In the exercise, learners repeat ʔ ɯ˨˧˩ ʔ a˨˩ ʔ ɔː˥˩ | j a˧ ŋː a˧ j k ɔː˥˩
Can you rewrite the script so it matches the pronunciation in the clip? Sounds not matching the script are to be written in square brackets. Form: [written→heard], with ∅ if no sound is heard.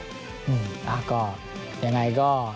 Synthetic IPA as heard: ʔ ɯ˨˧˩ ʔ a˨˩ [ʔ→k] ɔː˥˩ | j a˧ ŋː a˧ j k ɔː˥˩